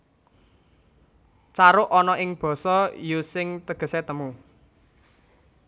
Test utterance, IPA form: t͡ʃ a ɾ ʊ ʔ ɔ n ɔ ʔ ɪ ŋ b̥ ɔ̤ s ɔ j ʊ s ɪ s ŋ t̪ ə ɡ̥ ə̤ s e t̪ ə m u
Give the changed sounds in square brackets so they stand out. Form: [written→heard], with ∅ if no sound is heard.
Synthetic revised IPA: t͡ʃ a ɾ ʊ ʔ ɔ n ɔ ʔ ɪ ŋ b̥ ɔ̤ s ɔ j [ʊ→u] s ɪ [s→∅] ŋ t̪ ə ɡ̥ ə̤ s e t̪ ə m u